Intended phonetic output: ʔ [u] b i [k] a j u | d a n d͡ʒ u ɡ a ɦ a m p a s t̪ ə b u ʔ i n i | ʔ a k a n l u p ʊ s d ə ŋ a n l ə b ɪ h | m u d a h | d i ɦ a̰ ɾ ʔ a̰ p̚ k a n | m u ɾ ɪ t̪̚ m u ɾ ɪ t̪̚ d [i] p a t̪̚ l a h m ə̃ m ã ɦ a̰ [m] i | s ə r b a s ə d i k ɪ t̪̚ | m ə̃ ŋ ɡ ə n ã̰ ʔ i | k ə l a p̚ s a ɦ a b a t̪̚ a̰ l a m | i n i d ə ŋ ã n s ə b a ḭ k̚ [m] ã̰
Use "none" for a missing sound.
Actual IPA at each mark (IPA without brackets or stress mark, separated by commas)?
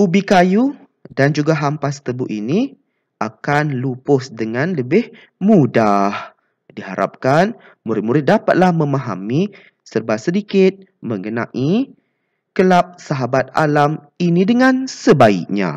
u, k, a, m, ɲ